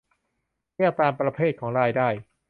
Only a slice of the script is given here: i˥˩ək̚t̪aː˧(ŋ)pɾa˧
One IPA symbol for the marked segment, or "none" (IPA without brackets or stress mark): m